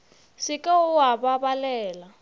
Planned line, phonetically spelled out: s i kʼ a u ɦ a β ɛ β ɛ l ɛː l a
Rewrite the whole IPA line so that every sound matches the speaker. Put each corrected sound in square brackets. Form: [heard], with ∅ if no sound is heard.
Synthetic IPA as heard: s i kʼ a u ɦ a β [a] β [a] l ɛː l a